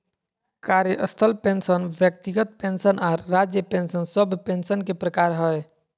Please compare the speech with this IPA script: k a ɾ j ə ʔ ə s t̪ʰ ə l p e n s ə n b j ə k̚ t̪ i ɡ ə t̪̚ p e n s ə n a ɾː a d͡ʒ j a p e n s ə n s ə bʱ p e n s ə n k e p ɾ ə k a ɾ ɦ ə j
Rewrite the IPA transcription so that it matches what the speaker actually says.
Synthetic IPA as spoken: k a ɾ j ə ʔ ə s t̪ʰ ə l p e n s ə n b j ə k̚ t̪ i ɡ ə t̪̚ p e n s ə n a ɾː a d͡ʒ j ə p e n s ə n s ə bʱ p e n s ə n k e p ɾ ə k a ɾ ɦ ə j